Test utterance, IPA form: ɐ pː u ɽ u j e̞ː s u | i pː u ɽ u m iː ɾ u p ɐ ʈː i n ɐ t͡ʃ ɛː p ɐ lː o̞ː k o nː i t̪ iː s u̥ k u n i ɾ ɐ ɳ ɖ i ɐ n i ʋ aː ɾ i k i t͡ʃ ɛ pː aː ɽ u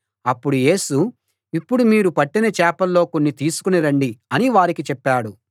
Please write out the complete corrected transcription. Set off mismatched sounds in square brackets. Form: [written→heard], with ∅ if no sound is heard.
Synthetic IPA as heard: ɐ pː u ɽ u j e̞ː s u | i pː u ɽ u m iː ɾ u p ɐ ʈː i n ɐ t͡ʃ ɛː p ɐ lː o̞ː k o nː i t̪ iː s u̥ k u n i ɾ ɐ ɳ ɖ i ɐ n i ʋ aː ɾ i k i t͡ʃ ɛ pː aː ɽ u